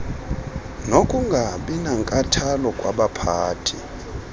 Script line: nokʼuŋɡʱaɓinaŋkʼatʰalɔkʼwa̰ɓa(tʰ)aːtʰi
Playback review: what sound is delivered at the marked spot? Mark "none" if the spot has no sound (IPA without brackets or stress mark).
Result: pʰ